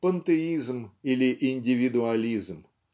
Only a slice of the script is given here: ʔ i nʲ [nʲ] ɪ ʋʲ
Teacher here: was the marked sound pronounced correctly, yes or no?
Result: no